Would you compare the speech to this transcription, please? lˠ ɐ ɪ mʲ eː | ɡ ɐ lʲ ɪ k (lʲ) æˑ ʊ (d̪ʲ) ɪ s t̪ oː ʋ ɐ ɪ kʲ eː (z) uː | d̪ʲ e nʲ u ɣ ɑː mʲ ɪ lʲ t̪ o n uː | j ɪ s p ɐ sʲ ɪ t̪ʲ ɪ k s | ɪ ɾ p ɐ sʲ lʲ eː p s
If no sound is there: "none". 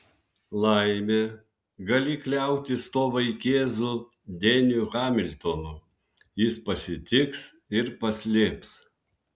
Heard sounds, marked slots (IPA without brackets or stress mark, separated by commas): lʲ, t̪ʲ, z